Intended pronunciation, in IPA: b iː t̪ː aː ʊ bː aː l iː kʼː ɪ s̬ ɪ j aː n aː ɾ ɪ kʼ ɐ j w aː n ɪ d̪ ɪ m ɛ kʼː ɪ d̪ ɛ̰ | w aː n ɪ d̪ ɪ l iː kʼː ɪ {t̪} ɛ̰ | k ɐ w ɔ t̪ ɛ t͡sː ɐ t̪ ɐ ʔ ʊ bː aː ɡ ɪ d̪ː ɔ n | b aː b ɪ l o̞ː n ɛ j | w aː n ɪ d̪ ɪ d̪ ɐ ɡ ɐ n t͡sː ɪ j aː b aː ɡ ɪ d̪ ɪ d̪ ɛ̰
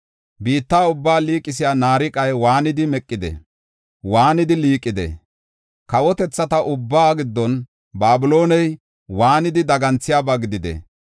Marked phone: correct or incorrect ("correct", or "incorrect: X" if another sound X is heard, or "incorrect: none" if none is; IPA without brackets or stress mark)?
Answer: incorrect: d̪